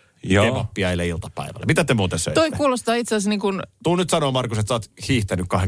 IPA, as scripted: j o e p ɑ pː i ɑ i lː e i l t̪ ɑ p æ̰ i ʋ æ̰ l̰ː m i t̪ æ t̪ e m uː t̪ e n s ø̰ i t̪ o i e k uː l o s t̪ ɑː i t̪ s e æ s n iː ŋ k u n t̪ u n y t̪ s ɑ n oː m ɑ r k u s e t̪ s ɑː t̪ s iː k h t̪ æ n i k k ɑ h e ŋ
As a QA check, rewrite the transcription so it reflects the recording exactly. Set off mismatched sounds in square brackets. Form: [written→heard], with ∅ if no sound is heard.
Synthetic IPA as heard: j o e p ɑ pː i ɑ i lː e i l t̪ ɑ p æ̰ i ʋ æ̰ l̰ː m i t̪ æ t̪ e m uː t̪ e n s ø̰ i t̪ o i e k uː l o s t̪ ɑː i t̪ s e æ s n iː ŋ k u n t̪ u n y t̪ s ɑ n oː m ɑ r k u s e t̪ s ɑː t̪ [s→h] iː [k→∅] h t̪ æ n [i→y] k k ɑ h e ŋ